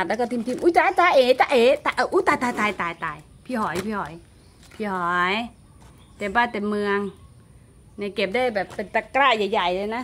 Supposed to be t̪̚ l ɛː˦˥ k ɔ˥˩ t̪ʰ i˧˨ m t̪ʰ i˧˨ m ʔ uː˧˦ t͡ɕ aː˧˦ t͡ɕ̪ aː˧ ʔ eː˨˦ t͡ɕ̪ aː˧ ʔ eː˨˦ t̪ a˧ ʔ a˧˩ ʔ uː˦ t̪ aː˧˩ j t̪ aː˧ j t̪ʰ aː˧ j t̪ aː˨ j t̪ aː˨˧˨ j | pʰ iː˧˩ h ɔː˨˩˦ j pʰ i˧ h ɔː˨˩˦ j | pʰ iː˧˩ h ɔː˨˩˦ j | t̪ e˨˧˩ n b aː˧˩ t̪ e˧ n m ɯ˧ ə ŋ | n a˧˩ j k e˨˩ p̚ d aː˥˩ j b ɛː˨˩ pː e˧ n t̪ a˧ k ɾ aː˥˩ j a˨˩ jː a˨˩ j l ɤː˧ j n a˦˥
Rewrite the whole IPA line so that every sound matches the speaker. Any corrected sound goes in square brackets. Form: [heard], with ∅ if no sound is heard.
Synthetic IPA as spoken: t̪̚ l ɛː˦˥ k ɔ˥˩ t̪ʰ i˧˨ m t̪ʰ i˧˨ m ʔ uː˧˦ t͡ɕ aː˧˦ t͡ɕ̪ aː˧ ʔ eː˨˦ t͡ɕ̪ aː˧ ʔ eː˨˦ t̪ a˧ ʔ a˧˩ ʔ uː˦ t̪ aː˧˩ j t̪ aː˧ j [t̪] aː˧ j t̪ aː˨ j t̪ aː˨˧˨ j | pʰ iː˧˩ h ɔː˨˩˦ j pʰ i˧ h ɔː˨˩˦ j | pʰ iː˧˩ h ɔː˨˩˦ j | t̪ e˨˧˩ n b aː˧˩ t̪ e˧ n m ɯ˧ ə ŋ | n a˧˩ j k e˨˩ p̚ d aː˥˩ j b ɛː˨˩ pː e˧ n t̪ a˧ k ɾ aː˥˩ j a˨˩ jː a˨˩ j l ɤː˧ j n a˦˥

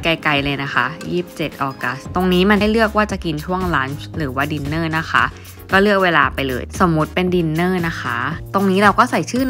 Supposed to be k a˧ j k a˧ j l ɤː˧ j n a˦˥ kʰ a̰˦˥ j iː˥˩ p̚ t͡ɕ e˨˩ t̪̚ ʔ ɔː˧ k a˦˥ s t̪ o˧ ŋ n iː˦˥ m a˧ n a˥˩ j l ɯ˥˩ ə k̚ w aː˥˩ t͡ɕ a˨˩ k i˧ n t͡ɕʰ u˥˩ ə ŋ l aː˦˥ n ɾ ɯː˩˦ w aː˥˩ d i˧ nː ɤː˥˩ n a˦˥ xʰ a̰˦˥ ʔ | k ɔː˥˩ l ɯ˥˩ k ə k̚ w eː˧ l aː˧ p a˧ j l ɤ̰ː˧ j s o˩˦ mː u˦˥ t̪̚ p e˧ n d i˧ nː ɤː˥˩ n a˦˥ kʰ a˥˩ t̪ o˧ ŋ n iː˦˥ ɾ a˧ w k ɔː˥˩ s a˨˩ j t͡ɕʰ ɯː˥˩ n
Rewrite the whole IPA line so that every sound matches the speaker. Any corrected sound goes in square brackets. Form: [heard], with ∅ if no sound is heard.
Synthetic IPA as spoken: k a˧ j k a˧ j l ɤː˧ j n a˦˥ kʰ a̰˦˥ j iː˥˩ p̚ t͡ɕ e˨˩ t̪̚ ʔ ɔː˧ k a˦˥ s t̪ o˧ ŋ n iː˦˥ m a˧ n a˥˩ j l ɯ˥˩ ə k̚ w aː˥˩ t͡ɕ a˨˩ k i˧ n t͡ɕʰ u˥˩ ə ŋ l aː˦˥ n ɾ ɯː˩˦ w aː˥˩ d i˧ nː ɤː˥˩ n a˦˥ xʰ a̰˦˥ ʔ | k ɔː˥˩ l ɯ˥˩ [∅] ə k̚ w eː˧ l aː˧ p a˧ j l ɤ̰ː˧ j s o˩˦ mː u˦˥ t̪̚ p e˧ n d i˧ nː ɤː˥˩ n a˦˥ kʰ [a˦˥] t̪ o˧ ŋ n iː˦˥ ɾ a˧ w k ɔː˥˩ s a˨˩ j t͡ɕʰ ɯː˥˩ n

